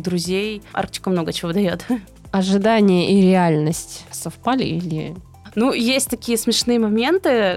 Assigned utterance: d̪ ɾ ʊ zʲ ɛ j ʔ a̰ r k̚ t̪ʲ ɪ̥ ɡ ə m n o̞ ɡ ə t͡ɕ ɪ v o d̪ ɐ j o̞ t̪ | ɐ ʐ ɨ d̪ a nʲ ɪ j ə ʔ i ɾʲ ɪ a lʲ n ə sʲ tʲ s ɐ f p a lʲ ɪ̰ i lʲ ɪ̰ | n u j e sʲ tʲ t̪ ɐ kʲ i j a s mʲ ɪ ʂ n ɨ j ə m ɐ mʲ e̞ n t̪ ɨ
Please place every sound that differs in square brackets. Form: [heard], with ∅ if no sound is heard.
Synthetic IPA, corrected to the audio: d̪ ɾ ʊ zʲ [e] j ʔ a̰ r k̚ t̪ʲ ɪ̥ [k] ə m n o̞ ɡ ə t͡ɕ ɪ v o d̪ ɐ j o̞ t̪ | ɐ ʐ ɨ d̪ a nʲ ɪ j ə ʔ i ɾʲ ɪ a lʲ n ə sʲ tʲ s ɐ f p a lʲ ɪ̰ i lʲ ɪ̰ | n u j e sʲ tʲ t̪ ɐ kʲ i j [ə] s mʲ ɪ ʂ n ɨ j ə m ɐ mʲ e̞ n t̪ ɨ